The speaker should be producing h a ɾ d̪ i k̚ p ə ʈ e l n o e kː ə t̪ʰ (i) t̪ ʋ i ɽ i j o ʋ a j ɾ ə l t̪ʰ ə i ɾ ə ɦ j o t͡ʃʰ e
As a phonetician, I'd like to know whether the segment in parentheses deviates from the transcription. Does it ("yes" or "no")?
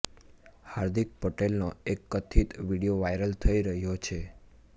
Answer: no